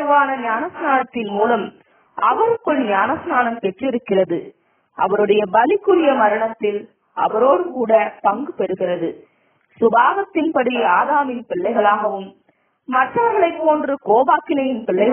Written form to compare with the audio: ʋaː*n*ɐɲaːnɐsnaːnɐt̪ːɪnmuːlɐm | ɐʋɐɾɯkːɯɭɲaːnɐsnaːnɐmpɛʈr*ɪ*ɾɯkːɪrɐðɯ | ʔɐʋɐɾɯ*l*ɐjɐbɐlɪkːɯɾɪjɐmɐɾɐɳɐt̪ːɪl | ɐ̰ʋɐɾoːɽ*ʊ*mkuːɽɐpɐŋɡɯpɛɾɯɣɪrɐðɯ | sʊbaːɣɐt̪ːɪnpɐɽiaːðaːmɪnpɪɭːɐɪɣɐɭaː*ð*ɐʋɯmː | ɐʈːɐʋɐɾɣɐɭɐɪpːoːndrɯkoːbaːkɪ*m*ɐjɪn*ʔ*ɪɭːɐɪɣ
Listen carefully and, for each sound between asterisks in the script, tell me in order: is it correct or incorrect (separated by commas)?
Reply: correct, correct, incorrect, incorrect, incorrect, incorrect, incorrect